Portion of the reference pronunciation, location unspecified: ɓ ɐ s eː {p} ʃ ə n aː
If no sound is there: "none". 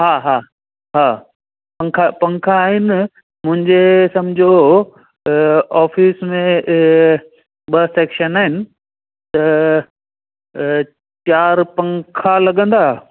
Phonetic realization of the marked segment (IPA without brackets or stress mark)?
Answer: k